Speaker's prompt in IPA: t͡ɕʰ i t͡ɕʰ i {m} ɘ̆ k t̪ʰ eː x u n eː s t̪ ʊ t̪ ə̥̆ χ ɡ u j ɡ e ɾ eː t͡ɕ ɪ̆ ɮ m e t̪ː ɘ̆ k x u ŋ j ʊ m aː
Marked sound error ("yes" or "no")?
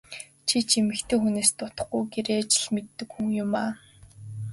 no